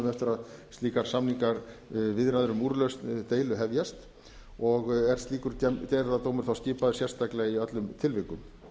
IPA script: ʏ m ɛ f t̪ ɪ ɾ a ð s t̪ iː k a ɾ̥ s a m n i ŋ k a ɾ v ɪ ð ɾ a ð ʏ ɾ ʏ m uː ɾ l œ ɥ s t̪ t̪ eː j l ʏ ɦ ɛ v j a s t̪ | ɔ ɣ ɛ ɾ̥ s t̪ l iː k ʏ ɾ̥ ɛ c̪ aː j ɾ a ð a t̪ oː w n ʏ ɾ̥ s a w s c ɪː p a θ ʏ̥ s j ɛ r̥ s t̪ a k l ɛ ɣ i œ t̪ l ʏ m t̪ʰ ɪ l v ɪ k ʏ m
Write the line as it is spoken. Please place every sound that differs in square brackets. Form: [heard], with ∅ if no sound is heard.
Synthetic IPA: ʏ m ɛ f t̪ ɪ ɾ a ð s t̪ iː k a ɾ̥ s a m n i ŋ k a ɾ v ɪ ð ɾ a ð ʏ ɾ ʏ m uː ɾ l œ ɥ s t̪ t̪ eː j l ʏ ɦ ɛ v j a s t̪ | ɔ ɣ ɛ ɾ̥ s t̪ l iː k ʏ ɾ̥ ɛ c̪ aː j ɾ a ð a t̪ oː w [m] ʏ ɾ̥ [θ] a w s c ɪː p a [ð] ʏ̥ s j ɛ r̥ s t̪ a k l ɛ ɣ i œ t̪ l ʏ m t̪ʰ ɪ l v ɪ k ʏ m

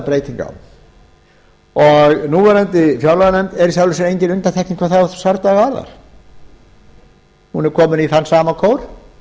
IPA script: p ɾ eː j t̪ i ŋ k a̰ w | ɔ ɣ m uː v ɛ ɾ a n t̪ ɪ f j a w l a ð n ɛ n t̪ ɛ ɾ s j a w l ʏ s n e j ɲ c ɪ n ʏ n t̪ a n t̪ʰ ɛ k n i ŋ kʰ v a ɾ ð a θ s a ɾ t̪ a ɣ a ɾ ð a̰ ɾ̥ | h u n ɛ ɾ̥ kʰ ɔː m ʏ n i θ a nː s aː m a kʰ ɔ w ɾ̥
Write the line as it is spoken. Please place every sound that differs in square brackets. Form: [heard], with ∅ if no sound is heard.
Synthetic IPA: p ɾ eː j t̪ i ŋ k a̰ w | ɔ ɣ [n] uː v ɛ ɾ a n t̪ ɪ f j a w l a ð n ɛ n t̪ ɛ ɾ s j a w l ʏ s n e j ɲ c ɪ n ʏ n t̪ a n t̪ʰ ɛ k n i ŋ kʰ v a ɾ [θ] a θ s a ɾ t̪ a ɣ a ɾ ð a̰ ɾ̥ | h u n ɛ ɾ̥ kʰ ɔː m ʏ n i θ a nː s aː m a kʰ [o] w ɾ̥

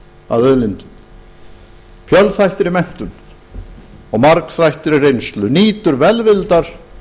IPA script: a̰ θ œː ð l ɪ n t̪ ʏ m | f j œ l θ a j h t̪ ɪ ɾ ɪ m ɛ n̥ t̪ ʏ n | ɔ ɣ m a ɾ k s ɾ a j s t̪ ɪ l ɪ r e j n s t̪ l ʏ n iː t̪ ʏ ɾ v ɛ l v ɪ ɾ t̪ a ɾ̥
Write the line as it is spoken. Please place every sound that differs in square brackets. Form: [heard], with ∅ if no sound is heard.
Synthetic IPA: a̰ [ð] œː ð l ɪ n t̪ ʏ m | f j œ l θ a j h t̪ ɪ ɾ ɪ m ɛ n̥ t̪ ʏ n | ɔ ɣ m a ɾ k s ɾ a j [h] t̪ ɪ [ɾ] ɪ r e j n s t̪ l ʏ n iː t̪ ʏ ɾ v ɛ l v ɪ [l] t̪ a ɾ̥

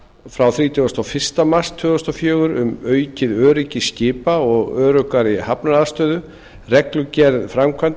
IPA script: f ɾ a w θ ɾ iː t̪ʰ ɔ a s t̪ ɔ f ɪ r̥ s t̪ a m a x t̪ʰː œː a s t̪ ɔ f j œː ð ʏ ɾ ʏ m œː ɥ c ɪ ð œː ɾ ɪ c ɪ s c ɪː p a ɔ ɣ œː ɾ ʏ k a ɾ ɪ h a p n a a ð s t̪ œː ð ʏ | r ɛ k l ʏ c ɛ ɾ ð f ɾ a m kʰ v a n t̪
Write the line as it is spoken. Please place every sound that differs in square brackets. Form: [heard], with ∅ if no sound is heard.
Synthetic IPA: f ɾ a w θ ɾ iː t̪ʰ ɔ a s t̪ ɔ f ɪ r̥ s t̪ a m a [s] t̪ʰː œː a s t̪ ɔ f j œː [ɣ] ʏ ɾ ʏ m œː ɥ c ɪ ð œː ɾ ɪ c ɪ s c ɪː p a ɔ ɣ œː ɾ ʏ k a ɾ ɪ h a p n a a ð s t̪ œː ð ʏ | r ɛ k l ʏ c ɛ ɾ ð f ɾ a m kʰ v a n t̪

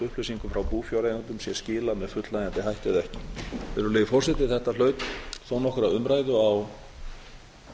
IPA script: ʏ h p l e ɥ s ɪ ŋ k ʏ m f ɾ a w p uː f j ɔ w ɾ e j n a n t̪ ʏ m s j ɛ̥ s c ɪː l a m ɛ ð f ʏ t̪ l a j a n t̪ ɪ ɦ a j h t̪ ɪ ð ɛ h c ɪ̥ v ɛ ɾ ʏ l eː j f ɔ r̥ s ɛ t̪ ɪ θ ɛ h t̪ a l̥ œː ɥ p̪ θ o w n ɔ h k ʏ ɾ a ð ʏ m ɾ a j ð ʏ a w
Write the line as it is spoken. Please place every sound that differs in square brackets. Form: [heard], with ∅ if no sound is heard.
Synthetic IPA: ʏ h p l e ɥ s [i] ŋ k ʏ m f ɾ a w p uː f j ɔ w ɾ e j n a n t̪ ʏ m s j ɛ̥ s c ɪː l a m ɛ ð f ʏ t̪ l a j a n t̪ ɪ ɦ a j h t̪ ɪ ð ɛ h c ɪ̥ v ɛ ɾ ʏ l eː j f ɔ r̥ s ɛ t̪ ɪ θ ɛ h t̪ a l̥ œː ɥ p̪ θ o w n ɔ h k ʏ ɾ a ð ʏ m ɾ a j ð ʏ a w

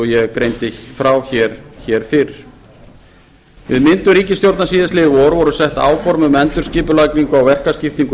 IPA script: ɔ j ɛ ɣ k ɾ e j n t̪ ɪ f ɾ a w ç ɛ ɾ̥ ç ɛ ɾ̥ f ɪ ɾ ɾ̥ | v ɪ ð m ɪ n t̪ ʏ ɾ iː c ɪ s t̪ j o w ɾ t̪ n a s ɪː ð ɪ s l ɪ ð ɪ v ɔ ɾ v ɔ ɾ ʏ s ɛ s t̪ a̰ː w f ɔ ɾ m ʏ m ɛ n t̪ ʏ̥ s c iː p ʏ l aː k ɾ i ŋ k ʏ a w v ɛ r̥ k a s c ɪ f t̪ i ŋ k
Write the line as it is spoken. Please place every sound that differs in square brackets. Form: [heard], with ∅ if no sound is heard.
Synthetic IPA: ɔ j ɛ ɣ k ɾ e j n t̪ ɪ f ɾ a w ç ɛ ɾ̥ ç ɛ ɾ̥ f ɪ ɾ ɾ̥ | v ɪ ð m ɪ n t̪ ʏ ɾ iː c ɪ s t̪ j o w ɾ t̪ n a s [iː] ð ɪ s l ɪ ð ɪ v ɔ ɾ v ɔ ɾ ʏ s ɛ [h] t̪ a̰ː w f ɔ ɾ m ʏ m ɛ n t̪ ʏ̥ s c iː p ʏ l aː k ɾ i ŋ k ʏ a w v ɛ r̥ k a s c ɪ f t̪ i ŋ k

